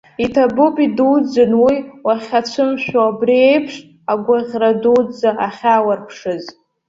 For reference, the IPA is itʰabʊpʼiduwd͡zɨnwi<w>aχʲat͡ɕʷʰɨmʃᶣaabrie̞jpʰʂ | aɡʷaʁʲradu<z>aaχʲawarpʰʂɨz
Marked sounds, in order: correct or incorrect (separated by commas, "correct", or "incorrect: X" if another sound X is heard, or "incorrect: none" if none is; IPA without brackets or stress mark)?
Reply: correct, incorrect: d͡z